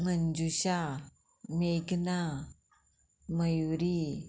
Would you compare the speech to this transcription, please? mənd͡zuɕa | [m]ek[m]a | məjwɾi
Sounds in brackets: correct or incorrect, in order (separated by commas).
correct, incorrect